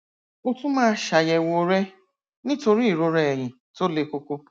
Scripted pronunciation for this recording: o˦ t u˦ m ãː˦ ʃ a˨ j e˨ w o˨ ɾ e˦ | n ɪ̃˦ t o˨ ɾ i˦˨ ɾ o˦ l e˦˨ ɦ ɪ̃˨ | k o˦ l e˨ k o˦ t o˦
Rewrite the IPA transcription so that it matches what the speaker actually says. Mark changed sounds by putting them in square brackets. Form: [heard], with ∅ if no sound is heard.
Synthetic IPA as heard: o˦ t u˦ m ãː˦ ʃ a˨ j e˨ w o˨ ɾ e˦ | n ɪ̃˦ t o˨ ɾ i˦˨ ɾ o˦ [ɾ] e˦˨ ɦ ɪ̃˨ | [t] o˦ l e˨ k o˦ [k] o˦